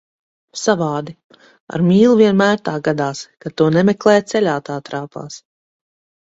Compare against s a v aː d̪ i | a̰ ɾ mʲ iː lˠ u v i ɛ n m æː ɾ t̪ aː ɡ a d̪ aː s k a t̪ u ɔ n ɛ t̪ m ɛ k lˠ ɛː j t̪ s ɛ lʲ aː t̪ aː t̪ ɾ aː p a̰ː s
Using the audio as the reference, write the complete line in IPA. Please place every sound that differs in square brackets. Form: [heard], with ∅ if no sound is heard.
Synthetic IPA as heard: s a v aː d̪ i | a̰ ɾ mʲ iː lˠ u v i ɛ n m æː ɾ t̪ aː ɡ a d̪ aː s k a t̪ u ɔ n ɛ [∅] m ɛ k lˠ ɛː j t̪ s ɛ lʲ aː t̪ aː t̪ ɾ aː p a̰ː s